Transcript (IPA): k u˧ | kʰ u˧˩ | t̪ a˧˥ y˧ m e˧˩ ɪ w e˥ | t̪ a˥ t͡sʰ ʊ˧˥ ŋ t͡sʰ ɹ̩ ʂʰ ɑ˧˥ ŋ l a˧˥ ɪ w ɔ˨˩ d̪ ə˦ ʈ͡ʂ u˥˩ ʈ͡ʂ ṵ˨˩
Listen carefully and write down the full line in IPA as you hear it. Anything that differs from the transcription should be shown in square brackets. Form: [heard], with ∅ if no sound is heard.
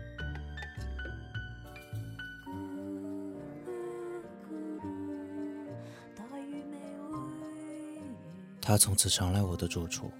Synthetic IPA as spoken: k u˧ | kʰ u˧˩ | t̪ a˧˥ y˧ m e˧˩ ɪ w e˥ | [t̪ʰ] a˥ t͡sʰ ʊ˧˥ ŋ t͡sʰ ɹ̩ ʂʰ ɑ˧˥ ŋ l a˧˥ ɪ w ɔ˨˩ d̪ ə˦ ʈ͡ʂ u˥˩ [ʈ͡ʂʰ] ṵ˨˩